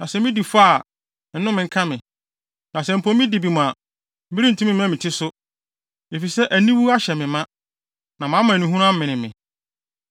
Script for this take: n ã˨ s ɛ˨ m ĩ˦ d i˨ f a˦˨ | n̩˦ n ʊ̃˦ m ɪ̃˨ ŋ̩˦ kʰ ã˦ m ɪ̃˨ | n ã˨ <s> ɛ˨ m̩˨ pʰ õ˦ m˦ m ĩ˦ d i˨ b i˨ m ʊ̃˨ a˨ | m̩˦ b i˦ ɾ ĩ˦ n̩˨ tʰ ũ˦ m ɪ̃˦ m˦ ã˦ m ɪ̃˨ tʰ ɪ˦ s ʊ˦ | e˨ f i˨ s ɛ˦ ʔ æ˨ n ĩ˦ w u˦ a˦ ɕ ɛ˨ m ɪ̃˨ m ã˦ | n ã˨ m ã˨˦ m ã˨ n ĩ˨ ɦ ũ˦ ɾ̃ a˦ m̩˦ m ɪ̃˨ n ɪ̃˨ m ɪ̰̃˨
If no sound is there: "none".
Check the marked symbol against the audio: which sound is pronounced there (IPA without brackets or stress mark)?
s